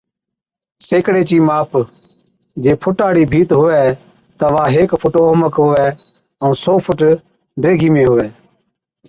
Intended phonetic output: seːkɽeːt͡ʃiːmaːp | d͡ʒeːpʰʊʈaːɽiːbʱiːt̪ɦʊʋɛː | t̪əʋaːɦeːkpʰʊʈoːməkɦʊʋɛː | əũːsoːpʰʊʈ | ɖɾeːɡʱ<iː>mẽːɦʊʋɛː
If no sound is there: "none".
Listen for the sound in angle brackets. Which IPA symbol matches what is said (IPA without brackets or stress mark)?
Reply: iː